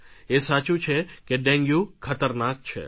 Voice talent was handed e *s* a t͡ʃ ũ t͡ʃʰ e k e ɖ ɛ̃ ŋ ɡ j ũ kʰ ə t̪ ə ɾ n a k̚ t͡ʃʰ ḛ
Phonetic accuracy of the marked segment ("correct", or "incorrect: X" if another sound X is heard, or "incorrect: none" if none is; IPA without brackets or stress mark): correct